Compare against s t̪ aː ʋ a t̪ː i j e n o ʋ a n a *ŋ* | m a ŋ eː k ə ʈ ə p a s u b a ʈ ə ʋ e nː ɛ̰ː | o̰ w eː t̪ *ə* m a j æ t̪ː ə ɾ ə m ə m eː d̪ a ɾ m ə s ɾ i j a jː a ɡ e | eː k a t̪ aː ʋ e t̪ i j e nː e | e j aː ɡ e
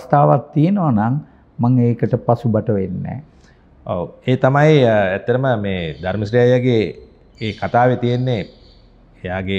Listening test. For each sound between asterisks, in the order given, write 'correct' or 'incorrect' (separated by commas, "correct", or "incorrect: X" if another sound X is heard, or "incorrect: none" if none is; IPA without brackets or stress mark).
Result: correct, incorrect: a